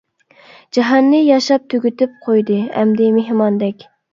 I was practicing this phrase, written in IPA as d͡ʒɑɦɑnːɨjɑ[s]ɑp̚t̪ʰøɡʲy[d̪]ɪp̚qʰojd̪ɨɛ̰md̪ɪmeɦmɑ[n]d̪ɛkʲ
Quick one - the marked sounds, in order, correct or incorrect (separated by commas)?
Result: incorrect, incorrect, correct